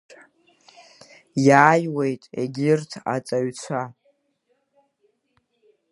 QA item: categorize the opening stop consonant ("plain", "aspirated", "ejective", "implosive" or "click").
ejective